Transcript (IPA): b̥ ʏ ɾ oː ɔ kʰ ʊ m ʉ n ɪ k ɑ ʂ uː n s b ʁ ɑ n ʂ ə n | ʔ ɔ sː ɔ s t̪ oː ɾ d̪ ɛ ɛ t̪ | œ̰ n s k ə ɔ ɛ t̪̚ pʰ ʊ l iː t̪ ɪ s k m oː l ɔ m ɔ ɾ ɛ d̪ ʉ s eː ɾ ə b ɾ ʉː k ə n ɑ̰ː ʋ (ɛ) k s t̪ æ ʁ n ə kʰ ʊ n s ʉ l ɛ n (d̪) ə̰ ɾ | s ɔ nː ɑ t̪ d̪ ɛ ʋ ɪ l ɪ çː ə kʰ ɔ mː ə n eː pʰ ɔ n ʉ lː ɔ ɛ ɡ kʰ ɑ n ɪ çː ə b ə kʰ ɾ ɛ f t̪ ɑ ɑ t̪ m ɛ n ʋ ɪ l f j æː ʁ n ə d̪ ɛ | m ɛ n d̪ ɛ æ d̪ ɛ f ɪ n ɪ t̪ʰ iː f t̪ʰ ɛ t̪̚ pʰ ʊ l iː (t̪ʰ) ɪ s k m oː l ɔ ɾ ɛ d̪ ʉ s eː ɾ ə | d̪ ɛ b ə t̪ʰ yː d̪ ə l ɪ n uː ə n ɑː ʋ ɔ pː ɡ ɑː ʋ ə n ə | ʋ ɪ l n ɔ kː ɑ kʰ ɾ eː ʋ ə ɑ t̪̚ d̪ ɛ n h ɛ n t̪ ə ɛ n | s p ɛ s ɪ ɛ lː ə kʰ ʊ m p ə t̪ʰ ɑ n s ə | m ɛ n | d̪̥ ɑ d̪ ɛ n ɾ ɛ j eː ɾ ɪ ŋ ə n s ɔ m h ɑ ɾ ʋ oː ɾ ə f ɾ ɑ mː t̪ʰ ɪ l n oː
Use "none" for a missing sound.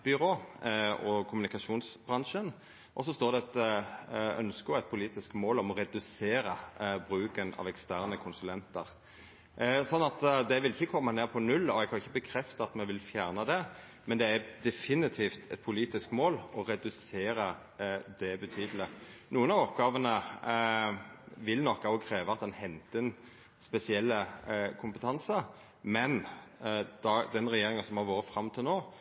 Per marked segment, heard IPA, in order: ɛ, t̪, t̪

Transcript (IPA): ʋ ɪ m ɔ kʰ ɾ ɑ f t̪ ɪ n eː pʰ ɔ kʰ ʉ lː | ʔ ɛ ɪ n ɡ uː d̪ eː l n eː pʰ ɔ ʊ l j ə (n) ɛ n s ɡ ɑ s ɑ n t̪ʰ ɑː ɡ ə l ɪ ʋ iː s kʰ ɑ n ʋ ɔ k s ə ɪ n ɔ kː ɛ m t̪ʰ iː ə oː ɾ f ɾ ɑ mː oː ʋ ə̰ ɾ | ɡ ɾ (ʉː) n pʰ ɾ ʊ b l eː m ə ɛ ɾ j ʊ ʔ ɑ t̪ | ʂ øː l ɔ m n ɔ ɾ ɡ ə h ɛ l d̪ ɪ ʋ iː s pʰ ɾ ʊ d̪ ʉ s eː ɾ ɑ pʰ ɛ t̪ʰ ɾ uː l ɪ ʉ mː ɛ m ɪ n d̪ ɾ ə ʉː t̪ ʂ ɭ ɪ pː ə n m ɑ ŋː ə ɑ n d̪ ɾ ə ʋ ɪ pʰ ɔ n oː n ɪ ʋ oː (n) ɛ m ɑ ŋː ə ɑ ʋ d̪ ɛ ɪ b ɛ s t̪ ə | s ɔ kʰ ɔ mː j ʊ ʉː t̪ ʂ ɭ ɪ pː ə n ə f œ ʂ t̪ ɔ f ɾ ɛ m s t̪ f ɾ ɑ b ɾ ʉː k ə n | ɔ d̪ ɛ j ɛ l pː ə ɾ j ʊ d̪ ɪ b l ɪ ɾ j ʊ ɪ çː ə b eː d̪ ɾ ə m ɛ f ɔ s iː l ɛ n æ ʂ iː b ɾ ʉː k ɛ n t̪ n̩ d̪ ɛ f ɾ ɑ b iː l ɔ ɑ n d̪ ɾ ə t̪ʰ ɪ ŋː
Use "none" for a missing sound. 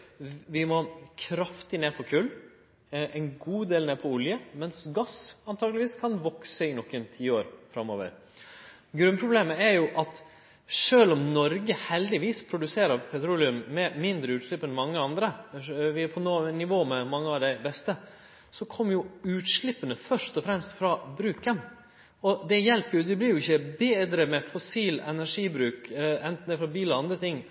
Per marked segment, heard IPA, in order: m, ʉ, m

